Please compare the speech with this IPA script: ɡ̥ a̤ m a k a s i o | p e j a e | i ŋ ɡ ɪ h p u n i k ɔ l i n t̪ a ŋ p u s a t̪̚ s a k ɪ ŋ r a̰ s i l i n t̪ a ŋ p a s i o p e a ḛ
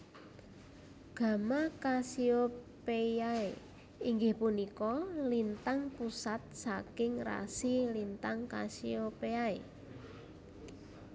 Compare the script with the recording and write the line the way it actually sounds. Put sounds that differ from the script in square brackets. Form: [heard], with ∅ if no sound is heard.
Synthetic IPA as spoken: ɡ̥ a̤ m a k a s i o | p e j a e | i ŋ ɡ ɪ h p u n i k ɔ l i n t̪ a ŋ p u s a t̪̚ s a k ɪ ŋ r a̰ s i l i n t̪ a ŋ [k] a s i o p e a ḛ